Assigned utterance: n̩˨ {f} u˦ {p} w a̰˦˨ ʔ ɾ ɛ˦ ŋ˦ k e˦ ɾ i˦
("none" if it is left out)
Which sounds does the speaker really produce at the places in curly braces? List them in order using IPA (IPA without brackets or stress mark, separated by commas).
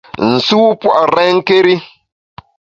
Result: s, p